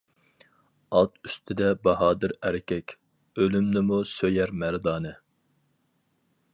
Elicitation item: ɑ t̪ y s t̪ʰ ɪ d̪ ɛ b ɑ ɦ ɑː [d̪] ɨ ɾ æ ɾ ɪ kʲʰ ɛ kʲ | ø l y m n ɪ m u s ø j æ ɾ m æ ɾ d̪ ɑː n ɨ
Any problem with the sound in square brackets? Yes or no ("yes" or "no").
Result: no